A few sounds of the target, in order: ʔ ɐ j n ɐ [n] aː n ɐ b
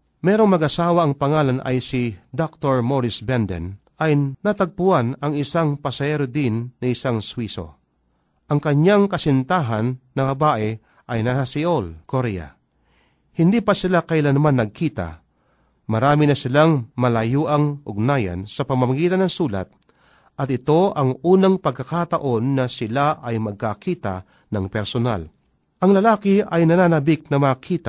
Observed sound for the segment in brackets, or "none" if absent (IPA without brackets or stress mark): n